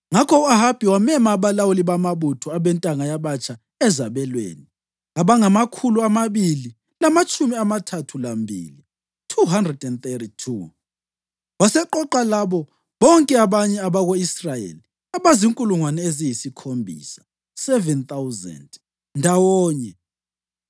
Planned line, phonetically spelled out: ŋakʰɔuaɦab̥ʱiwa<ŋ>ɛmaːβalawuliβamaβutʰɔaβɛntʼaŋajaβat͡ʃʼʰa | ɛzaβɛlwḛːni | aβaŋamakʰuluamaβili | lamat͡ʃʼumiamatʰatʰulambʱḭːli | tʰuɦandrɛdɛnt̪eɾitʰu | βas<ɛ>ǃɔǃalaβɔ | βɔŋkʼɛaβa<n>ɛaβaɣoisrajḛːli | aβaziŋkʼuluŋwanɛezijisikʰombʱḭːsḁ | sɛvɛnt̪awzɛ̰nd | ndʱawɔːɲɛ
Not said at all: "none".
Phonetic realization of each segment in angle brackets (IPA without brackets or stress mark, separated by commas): m, ɛ, ɲ